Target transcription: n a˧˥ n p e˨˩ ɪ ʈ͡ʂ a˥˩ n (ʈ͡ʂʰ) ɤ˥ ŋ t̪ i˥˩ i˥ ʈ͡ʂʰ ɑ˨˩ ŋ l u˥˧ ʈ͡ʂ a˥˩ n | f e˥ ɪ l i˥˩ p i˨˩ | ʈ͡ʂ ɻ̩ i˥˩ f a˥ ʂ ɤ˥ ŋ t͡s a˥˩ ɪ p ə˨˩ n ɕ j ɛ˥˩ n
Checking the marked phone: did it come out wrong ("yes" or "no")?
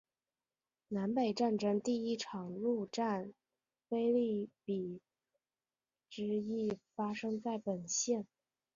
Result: yes